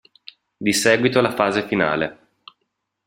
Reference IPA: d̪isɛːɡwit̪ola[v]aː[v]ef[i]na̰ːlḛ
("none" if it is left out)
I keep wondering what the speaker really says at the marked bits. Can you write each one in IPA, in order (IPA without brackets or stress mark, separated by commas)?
f, z, i